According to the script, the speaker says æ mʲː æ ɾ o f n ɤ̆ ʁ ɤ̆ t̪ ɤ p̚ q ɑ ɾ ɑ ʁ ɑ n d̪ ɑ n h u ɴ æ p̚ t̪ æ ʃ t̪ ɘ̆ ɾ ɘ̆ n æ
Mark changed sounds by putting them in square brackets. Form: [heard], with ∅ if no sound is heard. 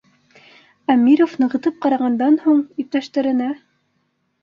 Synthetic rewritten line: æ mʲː [i] ɾ o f n ɤ̆ ʁ ɤ̆ t̪ ɤ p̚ q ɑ ɾ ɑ ʁ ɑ n d̪ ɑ n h u ɴ [i] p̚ t̪ æ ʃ t̪ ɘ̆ ɾ ɘ̆ n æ